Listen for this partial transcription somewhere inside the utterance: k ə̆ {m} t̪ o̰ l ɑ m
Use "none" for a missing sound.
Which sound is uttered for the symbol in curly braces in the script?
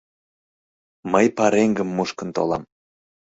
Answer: n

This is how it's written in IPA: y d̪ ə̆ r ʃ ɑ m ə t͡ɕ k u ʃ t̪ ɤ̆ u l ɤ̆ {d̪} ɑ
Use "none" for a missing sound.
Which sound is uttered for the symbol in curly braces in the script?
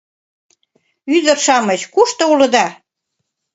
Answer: d̪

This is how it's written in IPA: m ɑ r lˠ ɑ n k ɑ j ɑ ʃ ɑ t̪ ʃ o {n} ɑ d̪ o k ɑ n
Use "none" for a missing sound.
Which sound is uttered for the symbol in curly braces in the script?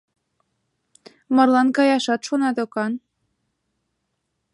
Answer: n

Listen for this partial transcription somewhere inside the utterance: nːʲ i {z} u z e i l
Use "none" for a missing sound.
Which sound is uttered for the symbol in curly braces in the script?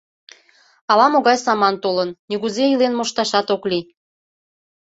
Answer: ɣ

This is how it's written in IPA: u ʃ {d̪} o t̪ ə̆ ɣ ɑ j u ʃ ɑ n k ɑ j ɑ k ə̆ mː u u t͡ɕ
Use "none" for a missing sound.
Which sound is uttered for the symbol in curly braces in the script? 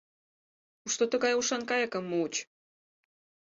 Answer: t̪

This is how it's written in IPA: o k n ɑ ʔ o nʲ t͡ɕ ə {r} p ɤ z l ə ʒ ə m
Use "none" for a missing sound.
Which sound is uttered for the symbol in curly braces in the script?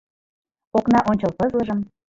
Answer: l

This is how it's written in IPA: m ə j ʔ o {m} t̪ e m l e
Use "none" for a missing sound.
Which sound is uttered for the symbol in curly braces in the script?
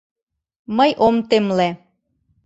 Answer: m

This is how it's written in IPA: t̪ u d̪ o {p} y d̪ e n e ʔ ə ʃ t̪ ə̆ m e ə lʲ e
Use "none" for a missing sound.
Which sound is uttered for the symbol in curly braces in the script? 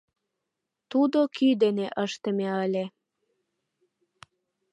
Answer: k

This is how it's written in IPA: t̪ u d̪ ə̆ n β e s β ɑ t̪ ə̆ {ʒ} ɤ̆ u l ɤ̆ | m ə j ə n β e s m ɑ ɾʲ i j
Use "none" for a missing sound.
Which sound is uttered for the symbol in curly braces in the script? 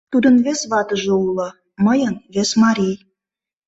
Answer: ʒ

